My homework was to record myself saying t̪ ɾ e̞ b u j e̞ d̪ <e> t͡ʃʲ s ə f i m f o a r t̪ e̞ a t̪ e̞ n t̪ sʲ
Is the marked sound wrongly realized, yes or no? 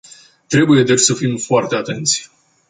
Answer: no